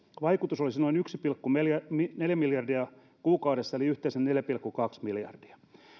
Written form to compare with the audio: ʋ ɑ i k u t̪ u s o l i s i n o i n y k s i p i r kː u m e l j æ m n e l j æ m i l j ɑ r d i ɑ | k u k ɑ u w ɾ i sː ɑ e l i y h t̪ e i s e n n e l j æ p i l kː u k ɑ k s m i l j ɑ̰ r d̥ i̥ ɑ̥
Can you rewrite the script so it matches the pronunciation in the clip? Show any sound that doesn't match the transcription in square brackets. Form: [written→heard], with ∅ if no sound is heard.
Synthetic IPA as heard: ʋ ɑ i k u t̪ u s o l i s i n o i n y k s i p i [r→l] kː u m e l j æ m n e l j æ m i l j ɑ r d i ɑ | k [u→uː] k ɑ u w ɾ [i→e] sː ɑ e l i y h t̪ e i s e n n e l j æ p i l kː u k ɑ k s m i l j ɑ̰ r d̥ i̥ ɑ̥